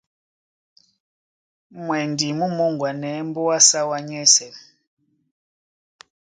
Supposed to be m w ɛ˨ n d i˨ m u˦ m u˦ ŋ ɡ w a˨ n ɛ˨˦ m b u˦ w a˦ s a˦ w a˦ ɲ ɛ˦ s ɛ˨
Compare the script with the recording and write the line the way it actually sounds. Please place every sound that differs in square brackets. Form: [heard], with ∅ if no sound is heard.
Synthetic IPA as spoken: m w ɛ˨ n d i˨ m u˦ m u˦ ŋ ɡ w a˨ n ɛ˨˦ m b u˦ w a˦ s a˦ w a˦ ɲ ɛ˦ s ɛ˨